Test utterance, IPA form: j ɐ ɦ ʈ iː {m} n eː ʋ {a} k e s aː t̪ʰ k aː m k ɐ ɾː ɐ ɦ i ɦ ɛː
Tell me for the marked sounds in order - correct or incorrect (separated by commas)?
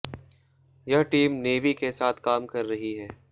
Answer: correct, incorrect